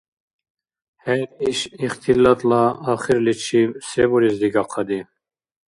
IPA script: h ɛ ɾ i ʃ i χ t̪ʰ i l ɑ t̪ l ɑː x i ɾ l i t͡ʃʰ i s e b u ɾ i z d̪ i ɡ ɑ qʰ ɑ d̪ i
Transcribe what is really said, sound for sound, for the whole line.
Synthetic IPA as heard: h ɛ ɾ i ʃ i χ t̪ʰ i l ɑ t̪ l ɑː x i ɾ l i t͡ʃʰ i s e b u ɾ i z d̪ i ɡ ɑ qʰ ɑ d̪ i